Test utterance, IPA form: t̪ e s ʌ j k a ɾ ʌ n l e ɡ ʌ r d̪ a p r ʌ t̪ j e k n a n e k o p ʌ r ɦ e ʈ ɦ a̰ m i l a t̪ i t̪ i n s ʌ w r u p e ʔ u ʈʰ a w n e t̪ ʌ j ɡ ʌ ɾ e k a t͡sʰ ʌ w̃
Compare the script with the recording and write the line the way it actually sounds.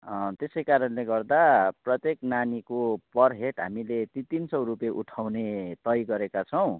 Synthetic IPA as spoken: t̪ e s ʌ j k a ɾ ʌ n l e ɡ ʌ r d̪ a p r ʌ t̪ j e k n a n i k o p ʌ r ɦ e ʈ ɦ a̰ m i l e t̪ i t̪ i n s ʌ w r u p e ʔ u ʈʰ a w n e t̪ ʌ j ɡ ʌ ɾ e k a t͡sʰ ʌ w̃